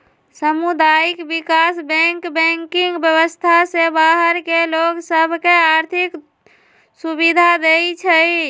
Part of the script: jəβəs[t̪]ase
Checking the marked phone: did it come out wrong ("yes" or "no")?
yes